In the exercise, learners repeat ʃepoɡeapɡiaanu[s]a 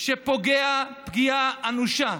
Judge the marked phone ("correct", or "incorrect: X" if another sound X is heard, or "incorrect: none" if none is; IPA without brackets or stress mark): incorrect: ʃ